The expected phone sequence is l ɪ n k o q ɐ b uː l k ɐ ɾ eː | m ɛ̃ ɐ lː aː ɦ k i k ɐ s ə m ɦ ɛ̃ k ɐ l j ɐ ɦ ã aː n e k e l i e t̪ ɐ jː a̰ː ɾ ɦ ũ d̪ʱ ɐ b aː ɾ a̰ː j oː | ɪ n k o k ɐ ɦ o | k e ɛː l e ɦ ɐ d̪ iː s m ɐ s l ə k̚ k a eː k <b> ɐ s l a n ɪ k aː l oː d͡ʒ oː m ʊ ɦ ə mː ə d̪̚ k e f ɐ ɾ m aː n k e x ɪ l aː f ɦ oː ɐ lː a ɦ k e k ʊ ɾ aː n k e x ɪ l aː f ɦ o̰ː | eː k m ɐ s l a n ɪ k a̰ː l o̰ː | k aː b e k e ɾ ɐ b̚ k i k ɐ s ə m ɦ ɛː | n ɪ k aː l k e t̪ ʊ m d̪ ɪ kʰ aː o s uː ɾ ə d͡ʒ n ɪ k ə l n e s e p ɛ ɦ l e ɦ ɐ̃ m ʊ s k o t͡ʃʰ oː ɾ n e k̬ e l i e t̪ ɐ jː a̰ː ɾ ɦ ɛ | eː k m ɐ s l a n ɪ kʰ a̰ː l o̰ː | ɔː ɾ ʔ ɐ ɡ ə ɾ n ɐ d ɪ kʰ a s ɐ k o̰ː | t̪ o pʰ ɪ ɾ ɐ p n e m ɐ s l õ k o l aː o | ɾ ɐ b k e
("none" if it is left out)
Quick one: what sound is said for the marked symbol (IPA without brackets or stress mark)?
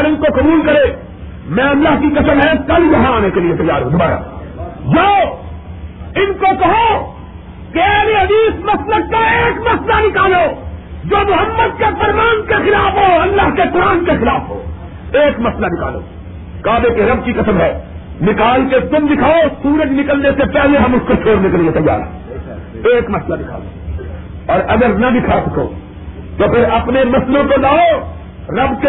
m